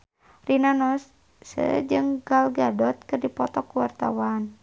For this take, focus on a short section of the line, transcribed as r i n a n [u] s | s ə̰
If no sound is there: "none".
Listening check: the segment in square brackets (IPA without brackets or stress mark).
ɔ